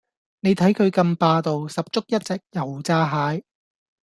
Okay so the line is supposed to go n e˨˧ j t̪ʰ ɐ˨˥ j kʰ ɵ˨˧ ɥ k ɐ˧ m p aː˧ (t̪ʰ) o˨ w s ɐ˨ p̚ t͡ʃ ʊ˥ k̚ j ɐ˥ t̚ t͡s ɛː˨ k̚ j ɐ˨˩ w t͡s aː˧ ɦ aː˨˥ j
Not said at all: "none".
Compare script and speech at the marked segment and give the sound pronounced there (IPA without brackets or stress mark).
t̪